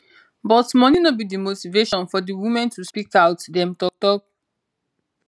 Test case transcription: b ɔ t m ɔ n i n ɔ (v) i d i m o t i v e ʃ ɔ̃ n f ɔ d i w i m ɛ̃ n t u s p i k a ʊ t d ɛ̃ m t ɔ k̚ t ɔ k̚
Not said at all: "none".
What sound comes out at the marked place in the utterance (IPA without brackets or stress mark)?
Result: b